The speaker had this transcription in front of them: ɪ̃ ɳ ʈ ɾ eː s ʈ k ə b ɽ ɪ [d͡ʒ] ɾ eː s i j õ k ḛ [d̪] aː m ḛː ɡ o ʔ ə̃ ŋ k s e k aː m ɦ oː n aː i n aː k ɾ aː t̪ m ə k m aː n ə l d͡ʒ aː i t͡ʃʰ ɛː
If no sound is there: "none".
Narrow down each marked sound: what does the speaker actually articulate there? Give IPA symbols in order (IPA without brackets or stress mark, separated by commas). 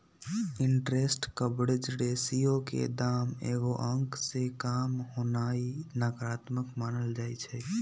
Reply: d͡ʒ, d̪